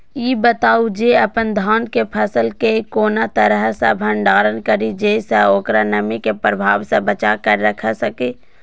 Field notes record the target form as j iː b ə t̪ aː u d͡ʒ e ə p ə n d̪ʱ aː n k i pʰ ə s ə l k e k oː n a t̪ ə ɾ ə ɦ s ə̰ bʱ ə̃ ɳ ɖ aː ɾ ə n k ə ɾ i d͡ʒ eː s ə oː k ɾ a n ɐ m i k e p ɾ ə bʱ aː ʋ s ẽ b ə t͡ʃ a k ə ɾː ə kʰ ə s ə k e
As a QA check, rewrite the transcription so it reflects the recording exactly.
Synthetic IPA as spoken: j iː b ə t̪ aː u d͡ʒ e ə p ə n d̪ʱ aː n k e pʰ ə s ə l k e k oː n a t̪ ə ɾ ə ɦ s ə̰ bʱ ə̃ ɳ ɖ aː ɾ ə n k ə ɾ i d͡ʒ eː s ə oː k ɾ a n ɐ m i k e p ɾ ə bʱ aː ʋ s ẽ b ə t͡ʃ a k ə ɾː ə kʰ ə s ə k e